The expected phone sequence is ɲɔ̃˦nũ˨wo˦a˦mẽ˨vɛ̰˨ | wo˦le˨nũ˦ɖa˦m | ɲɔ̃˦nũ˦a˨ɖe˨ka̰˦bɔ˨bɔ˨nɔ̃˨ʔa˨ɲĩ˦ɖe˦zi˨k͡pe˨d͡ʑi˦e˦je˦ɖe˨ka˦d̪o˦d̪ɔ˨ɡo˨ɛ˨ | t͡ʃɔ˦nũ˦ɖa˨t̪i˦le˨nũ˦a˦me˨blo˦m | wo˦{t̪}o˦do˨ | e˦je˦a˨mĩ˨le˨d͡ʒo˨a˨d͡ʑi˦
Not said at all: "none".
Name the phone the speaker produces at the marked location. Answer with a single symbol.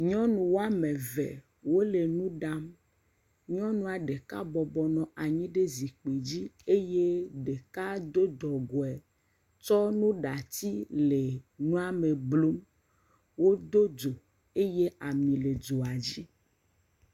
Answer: d̪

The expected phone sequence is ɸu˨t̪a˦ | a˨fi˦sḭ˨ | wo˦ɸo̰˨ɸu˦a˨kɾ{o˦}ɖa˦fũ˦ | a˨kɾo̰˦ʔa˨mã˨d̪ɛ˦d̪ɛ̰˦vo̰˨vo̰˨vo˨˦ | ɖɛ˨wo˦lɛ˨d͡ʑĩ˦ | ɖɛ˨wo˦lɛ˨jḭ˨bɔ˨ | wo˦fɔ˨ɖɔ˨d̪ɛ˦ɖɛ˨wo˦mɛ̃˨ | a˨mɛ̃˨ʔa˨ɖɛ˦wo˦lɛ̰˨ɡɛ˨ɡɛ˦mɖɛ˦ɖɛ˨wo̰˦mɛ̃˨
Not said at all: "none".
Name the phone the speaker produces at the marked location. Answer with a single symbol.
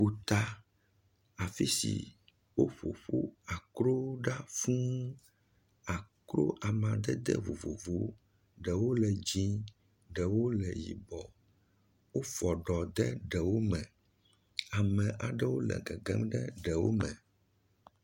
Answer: o˦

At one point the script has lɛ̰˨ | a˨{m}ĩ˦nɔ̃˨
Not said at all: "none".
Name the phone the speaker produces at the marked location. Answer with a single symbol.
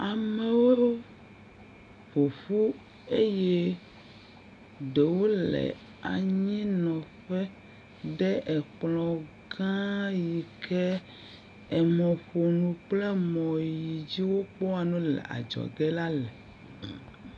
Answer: ɲ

